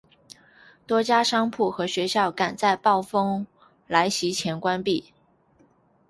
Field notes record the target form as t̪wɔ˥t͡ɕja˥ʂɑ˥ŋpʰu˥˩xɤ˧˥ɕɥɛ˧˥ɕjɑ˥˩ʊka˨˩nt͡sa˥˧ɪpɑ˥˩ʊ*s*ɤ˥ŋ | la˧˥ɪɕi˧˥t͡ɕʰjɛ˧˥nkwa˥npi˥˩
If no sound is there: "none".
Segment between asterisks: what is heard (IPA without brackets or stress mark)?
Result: f